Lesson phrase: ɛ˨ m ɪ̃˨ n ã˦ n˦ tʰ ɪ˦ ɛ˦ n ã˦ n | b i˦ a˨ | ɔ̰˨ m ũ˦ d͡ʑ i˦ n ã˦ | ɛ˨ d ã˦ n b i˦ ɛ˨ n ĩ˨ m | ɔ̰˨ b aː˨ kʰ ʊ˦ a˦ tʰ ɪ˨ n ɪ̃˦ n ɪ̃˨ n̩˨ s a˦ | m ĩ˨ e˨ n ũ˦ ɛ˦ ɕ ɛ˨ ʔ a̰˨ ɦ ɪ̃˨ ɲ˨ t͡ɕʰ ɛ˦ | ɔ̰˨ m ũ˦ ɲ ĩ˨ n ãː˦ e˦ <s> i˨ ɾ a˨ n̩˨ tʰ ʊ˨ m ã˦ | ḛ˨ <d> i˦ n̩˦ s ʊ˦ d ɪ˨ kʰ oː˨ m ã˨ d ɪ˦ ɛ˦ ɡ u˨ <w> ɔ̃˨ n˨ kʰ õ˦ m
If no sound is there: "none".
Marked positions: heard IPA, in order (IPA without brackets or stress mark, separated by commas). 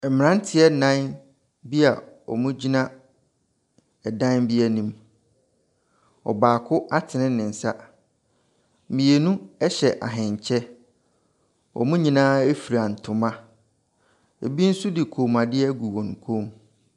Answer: f, b, w